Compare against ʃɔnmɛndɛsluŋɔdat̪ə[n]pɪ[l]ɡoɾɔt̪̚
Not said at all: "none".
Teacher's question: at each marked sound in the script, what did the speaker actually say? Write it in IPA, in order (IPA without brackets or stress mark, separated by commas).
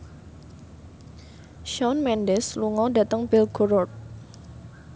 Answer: ŋ, l